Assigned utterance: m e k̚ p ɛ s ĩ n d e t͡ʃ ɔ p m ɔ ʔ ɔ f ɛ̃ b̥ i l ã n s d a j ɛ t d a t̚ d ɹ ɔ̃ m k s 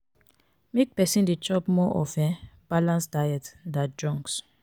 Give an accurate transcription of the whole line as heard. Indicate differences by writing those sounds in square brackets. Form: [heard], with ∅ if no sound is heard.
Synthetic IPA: m e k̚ p ɛ s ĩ n d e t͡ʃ ɔ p m ɔ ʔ ɔ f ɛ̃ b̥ [a] l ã n s d a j ɛ t d a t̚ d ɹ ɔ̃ [ŋ] k s